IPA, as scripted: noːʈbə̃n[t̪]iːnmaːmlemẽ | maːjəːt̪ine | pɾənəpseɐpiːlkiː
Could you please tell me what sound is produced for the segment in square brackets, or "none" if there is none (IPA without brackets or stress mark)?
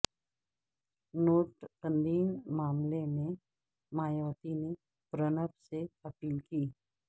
d̪